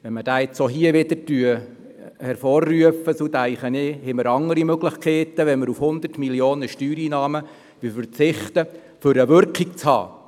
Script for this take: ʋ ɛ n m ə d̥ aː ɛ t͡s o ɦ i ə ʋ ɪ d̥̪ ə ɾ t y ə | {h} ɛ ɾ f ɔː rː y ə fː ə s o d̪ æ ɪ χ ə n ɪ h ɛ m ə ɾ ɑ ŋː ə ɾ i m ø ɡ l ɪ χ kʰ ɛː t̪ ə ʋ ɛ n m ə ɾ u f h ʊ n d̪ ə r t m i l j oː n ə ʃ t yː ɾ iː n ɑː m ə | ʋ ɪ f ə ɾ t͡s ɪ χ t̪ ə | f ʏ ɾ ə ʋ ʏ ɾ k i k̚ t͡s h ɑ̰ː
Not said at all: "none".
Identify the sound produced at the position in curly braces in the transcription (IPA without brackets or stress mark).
h